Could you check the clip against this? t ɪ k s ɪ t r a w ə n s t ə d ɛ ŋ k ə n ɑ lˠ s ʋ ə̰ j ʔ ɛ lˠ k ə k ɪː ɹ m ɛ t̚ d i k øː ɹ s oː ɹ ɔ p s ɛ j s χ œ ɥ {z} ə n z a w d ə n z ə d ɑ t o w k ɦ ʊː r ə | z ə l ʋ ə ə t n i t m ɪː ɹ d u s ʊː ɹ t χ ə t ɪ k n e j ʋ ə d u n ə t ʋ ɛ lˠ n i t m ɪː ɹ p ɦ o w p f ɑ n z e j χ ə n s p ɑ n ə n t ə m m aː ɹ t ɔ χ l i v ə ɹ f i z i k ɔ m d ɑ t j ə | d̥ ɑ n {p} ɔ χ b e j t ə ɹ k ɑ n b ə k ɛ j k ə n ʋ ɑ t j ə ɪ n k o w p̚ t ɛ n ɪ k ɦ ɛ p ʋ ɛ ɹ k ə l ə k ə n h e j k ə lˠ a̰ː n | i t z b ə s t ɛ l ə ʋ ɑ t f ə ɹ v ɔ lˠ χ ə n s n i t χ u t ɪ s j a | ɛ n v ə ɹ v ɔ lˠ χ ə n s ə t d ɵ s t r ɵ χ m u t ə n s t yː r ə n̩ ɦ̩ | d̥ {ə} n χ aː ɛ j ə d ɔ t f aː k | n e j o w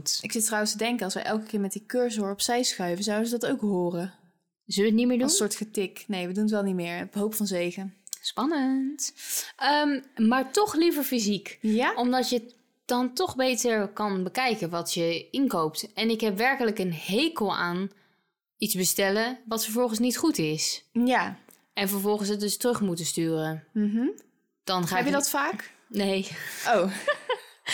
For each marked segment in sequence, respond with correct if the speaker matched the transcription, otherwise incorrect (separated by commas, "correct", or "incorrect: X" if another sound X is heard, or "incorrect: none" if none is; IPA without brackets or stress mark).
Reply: incorrect: v, incorrect: t, incorrect: ɑ